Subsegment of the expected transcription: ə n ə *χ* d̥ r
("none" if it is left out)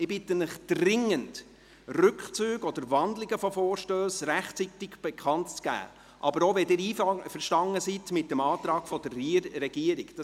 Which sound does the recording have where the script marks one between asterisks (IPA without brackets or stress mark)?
χ